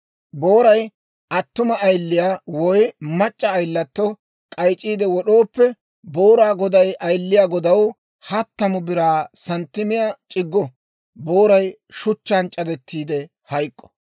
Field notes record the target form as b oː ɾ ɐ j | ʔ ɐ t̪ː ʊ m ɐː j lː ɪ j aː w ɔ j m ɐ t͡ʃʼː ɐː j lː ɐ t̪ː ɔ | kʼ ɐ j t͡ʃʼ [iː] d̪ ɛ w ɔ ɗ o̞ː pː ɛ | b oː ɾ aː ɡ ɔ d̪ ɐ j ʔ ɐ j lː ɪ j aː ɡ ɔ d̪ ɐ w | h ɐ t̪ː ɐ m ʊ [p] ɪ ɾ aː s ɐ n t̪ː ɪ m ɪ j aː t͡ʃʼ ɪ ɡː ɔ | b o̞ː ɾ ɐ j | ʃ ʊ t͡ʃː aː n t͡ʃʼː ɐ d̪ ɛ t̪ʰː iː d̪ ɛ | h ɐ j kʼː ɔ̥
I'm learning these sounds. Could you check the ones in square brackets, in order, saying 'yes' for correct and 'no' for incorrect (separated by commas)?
yes, no